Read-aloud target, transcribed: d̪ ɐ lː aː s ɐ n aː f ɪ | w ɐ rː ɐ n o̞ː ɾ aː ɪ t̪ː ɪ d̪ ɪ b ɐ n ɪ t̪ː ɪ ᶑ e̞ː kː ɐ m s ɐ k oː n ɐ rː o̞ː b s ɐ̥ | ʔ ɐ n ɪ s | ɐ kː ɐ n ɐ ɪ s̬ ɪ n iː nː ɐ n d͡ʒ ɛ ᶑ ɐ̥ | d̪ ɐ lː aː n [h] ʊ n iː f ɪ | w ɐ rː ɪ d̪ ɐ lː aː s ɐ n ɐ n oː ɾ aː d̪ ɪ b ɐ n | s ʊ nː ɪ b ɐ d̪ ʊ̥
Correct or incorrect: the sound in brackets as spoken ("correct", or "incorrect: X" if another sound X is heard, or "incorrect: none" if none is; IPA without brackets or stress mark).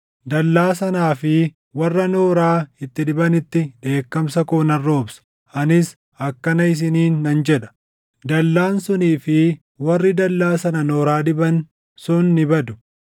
incorrect: s